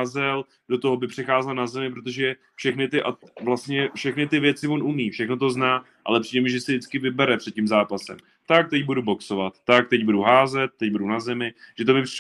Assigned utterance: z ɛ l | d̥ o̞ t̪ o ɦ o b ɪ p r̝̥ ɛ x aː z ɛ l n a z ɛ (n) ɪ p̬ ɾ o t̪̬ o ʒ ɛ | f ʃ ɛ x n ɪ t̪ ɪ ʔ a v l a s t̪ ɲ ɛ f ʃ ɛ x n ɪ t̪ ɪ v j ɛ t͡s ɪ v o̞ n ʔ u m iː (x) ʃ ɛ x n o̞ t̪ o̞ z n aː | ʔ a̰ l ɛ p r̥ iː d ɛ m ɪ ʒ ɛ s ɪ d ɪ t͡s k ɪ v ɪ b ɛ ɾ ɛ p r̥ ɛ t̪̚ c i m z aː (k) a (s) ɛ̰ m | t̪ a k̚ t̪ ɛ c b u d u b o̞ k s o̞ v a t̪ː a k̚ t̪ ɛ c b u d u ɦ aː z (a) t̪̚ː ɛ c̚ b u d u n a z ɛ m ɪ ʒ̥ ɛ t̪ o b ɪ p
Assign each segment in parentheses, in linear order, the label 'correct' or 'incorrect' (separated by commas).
incorrect, incorrect, incorrect, correct, incorrect